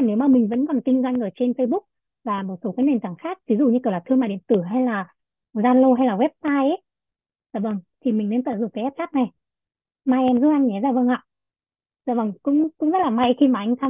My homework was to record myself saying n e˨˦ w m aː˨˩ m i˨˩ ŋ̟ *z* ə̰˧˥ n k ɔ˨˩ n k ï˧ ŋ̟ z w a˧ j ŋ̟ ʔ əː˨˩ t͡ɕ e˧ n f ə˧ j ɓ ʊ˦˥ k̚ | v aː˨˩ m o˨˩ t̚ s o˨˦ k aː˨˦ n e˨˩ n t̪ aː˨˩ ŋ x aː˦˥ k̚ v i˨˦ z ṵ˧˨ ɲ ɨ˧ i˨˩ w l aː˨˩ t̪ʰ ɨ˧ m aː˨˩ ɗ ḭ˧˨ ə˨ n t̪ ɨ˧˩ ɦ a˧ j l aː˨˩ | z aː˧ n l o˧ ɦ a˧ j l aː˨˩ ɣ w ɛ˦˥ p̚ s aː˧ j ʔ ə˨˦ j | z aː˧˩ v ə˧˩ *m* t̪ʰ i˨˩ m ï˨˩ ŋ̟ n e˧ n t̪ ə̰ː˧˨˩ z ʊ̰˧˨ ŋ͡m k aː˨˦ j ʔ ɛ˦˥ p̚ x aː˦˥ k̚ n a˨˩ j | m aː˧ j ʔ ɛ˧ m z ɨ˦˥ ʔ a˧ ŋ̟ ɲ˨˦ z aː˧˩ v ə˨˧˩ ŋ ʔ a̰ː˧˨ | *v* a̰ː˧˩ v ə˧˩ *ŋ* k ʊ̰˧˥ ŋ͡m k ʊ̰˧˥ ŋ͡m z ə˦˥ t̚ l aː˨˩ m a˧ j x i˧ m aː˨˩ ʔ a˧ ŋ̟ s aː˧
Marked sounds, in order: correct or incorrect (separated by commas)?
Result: incorrect, incorrect, incorrect, correct